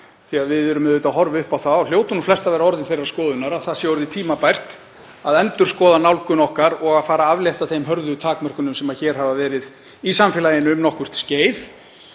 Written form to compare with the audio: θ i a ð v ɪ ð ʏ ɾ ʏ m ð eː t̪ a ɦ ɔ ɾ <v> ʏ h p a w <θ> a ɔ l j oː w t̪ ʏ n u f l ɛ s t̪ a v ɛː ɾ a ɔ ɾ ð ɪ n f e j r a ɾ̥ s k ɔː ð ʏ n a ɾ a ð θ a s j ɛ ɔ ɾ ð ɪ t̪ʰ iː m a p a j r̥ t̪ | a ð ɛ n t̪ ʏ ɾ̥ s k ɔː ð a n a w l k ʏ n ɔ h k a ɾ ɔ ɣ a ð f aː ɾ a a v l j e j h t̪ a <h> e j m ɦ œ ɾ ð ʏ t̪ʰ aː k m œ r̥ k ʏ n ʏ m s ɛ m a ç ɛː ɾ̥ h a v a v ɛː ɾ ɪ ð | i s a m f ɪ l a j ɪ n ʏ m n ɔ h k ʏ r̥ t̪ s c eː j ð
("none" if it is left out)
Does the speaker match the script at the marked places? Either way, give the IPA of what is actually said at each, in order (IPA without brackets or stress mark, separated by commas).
v, θ, θ